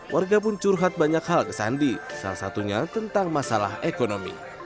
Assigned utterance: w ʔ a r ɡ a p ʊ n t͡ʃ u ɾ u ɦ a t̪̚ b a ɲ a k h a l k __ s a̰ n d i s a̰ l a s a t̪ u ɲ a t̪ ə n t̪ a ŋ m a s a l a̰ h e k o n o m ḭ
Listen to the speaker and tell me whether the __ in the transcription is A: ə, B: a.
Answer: A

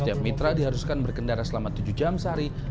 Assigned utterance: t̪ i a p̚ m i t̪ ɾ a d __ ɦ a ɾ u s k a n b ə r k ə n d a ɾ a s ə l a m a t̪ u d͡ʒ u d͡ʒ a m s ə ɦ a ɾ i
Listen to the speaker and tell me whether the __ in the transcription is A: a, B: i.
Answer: B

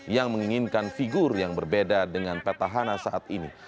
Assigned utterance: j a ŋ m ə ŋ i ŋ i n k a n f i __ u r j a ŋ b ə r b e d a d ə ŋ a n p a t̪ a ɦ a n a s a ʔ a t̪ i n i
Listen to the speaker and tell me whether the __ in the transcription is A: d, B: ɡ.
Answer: B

